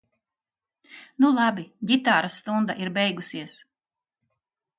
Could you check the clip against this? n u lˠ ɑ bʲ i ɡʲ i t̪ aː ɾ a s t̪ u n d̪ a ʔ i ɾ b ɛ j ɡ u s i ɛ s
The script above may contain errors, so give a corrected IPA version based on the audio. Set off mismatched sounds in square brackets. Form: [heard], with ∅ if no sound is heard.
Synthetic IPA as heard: n u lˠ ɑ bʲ i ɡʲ i t̪ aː ɾ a s t̪ u n d̪ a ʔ i ɾ b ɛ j ɡ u s i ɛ s